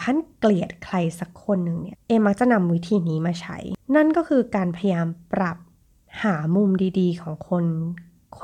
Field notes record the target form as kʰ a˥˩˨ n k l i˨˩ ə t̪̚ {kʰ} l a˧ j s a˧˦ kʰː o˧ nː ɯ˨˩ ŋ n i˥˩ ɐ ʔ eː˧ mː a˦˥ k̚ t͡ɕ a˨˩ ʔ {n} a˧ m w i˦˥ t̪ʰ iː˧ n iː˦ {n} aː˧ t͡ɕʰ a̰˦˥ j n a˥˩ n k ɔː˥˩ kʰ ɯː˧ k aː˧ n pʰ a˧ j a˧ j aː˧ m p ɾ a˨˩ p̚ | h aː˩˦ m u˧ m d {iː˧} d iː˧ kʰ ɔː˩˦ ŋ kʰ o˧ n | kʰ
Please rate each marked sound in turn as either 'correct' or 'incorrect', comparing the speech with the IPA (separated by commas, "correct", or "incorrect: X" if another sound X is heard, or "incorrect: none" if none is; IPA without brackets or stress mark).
correct, correct, incorrect: m, correct